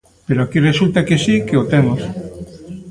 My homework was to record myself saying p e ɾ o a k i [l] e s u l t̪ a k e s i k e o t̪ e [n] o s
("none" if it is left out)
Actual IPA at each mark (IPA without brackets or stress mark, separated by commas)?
r, m